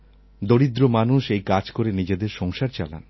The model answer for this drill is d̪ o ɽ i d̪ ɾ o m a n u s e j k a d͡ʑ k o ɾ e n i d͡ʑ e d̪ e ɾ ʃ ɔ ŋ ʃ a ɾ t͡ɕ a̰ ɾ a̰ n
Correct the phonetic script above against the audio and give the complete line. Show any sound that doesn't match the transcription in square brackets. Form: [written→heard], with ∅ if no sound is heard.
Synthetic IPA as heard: d̪ o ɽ i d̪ ɾ o m a n u [s→ʃ] e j k a d͡ʑ k o ɾ e n i d͡ʑ e d̪ e ɾ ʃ ɔ ŋ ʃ a ɾ t͡ɕ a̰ [ɾ→l] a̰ n